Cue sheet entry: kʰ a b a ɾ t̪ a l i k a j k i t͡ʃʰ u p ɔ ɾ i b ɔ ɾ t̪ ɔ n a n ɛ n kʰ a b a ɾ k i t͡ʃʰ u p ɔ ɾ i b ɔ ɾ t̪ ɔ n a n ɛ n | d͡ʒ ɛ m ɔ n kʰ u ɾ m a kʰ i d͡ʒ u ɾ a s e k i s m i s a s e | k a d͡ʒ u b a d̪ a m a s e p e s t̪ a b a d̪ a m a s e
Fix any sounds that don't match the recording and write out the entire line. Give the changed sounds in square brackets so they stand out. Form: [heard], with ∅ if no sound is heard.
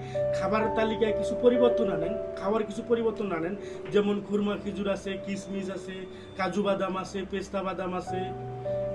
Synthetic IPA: kʰ a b a ɾ t̪ a l i k a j k i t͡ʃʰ u p ɔ ɾ i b ɔ ɾ t̪ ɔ n a n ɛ n kʰ a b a ɾ k i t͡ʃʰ u p ɔ ɾ i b ɔ ɾ t̪ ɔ n a n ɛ n | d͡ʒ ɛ m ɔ n kʰ u ɾ m a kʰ i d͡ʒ u ɾ a s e k i s m i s a s e | k a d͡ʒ u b a d̪ a m a s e p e s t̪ a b a d̪ a m a s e